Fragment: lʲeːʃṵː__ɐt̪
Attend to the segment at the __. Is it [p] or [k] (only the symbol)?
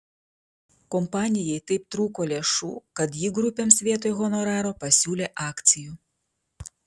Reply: k